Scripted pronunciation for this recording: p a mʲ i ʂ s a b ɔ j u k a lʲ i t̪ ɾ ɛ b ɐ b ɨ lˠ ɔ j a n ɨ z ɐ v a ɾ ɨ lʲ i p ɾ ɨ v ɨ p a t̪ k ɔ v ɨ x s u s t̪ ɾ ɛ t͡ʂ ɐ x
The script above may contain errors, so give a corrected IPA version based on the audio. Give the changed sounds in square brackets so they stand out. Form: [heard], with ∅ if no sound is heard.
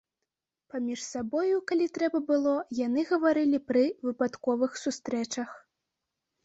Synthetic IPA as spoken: p a mʲ i ʂ s a b ɔ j u k a lʲ i t̪ ɾ ɛ b ɐ b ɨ lˠ ɔ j a n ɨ [ɣ] ɐ v a ɾ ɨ lʲ i p ɾ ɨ v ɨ p a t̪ k ɔ v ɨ x s u s t̪ ɾ ɛ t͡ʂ ɐ x

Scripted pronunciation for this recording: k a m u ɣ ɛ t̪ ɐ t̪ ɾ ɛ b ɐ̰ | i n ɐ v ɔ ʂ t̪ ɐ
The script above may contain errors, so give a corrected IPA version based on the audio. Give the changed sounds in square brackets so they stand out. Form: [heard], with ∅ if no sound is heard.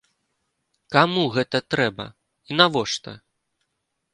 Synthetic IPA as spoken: k a m u ɣ ɛ t̪ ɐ t̪ ɾ ɛ b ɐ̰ | i n [a] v ɔ ʂ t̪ ɐ

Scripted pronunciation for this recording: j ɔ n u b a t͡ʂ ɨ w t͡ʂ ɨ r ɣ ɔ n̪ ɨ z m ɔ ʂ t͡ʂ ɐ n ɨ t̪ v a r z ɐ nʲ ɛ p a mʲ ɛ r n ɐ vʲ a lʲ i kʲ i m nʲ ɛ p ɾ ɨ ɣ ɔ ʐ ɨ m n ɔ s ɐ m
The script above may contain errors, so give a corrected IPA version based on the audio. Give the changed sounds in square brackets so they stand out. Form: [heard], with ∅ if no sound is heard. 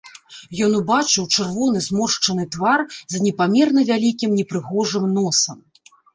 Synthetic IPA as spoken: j ɔ n u b a t͡ʂ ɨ w t͡ʂ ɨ r [v] ɔ n̪ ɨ z m ɔ ʂ t͡ʂ ɐ n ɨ t̪ v a r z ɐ nʲ ɛ p a mʲ ɛ r n ɐ vʲ a lʲ i kʲ i m nʲ ɛ p ɾ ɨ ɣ ɔ ʐ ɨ m n ɔ s ɐ m

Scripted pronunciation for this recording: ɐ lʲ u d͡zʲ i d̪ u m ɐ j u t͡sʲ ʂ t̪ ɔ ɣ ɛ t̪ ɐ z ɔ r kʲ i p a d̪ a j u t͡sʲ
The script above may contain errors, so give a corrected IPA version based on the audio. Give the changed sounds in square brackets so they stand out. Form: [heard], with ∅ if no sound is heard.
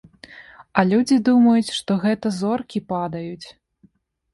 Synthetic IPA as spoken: ɐ lʲ u d͡zʲ i d̪ u m ɐ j u t͡sʲ ʂ t̪ ɔ ɣ ɛ t̪ ɐ z ɔ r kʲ i p a d̪ [ɐ] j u t͡sʲ

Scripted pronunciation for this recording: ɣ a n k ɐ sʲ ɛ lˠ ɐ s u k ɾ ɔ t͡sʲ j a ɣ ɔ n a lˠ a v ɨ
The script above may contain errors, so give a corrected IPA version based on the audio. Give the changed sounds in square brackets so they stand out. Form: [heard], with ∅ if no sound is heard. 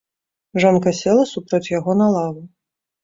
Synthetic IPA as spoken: [ʐ] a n k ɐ sʲ ɛ lˠ ɐ s u [p] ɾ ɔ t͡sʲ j a ɣ ɔ n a lˠ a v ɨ

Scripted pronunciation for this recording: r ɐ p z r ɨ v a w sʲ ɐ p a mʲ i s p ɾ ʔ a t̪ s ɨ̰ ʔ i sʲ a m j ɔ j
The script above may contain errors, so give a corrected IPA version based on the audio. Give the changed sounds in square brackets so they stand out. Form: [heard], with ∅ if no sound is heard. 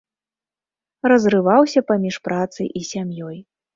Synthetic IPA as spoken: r ɐ [∅] z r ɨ v a w sʲ ɐ p a mʲ i [ʂ] p ɾ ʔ a t̪ s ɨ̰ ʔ i sʲ a m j ɔ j

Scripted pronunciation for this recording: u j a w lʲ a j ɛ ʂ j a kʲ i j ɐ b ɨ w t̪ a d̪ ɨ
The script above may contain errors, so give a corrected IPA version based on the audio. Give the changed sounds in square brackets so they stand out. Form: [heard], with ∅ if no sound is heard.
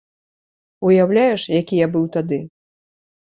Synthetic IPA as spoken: u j a w lʲ a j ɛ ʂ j a kʲ i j [a] b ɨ w t̪ a d̪ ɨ

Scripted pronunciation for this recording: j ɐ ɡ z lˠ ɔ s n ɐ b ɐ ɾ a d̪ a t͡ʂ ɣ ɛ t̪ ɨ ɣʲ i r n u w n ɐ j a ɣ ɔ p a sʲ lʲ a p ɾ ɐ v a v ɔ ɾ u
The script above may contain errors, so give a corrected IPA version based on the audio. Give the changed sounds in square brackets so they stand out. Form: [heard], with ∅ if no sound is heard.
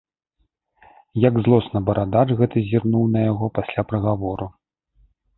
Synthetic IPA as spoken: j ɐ ɡ z lˠ ɔ s n ɐ b ɐ ɾ a d̪ a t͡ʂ ɣ ɛ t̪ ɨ [zʲ] i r n u w n ɐ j a ɣ ɔ p a sʲ lʲ a p ɾ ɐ [ɣ] a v ɔ ɾ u

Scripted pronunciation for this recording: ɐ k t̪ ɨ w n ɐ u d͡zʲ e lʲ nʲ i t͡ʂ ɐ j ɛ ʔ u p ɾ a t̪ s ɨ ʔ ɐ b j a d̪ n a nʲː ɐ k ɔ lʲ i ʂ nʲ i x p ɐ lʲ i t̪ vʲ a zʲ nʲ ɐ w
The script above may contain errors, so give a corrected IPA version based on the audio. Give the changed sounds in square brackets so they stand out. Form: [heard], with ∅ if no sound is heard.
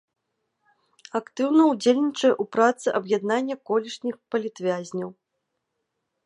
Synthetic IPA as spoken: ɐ k t̪ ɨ w n ɐ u d͡zʲ e lʲ nʲ i t͡ʂ ɐ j ɛ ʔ u p ɾ a t̪ s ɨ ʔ ɐ b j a d̪ n a nʲː ɐ k ɔ lʲ i ʂ nʲ i x p ɐ lʲ i t̪ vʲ a zʲ nʲ ɐ w

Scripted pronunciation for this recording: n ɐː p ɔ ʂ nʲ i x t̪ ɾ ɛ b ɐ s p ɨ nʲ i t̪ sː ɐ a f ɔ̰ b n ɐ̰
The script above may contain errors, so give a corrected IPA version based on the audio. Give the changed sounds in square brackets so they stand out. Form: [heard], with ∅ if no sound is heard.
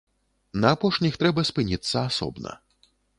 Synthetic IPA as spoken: n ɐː p ɔ ʂ nʲ i x t̪ ɾ ɛ b ɐ s p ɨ nʲ i t̪ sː ɐ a [s] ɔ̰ b n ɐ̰

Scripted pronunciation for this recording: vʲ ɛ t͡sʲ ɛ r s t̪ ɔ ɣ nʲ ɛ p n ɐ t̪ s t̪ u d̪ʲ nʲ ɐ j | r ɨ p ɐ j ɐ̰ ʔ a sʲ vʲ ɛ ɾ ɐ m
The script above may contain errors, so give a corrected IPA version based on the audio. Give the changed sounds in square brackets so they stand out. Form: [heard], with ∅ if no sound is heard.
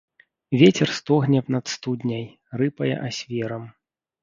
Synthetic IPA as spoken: vʲ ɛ t͡sʲ ɛ r s t̪ ɔ ɣ nʲ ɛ p n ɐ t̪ s t̪ u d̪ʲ nʲ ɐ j | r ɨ p ɐ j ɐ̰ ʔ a sʲ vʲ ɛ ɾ ɐ m

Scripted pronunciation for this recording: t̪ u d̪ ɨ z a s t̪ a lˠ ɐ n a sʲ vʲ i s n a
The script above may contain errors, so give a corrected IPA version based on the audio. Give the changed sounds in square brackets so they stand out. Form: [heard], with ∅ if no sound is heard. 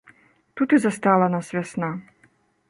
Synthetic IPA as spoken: t̪ u [t̪] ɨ z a s t̪ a lˠ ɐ n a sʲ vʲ [a] s n a

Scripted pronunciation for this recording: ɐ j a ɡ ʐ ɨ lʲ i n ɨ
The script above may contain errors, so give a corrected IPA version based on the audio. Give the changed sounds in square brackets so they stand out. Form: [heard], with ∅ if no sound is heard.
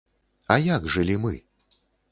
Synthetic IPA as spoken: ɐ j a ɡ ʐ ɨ lʲ i [m] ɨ

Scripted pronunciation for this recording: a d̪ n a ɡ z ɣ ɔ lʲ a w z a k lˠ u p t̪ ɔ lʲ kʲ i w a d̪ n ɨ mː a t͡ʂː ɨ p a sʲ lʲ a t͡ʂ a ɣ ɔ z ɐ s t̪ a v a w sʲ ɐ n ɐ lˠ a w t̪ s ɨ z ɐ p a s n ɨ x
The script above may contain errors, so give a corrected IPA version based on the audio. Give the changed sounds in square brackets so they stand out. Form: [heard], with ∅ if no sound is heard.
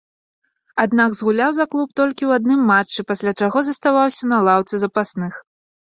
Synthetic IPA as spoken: a d̪ n a ɡ z ɣ [u] lʲ a w z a k lˠ u p t̪ ɔ lʲ kʲ i w a d̪ n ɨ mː a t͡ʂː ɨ p a sʲ lʲ a t͡ʂ a ɣ ɔ z ɐ s t̪ a v a w sʲ ɐ n ɐ lˠ a w t̪ s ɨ z ɐ p a s n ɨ x

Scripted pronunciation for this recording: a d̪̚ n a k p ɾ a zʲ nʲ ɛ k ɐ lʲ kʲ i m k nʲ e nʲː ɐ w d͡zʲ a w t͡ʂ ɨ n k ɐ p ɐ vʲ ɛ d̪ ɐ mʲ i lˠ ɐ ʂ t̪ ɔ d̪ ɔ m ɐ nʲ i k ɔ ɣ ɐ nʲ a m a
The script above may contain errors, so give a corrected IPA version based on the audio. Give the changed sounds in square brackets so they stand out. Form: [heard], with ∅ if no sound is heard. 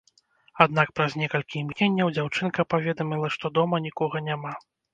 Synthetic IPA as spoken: a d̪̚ n a k p ɾ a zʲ nʲ ɛ k ɐ lʲ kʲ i m k nʲ e nʲː ɐ w d͡zʲ a w t͡ʂ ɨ n k ɐ p [a] vʲ ɛ d̪ ɐ mʲ i lˠ ɐ ʂ t̪ ɔ d̪ ɔ m ɐ nʲ i k ɔ ɣ ɐ nʲ a m a

